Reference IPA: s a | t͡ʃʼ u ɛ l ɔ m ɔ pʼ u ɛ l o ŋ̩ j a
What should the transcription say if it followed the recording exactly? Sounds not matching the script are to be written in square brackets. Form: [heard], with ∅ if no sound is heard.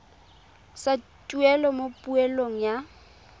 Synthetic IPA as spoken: s a | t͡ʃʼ u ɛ l ɔ m [o] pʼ u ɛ l o ŋ̩ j a